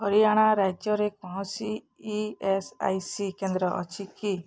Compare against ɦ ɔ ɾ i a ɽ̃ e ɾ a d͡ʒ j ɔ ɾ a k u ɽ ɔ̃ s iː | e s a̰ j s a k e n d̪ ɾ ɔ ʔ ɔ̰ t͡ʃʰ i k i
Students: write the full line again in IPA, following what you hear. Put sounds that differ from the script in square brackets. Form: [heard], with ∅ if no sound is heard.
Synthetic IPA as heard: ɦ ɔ ɾ i a ɽ̃ [a] ɾ a d͡ʒ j ɔ ɾ [e] k [ɔ] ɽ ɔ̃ s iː | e s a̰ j s [i] k e n d̪ ɾ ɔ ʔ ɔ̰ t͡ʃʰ i k i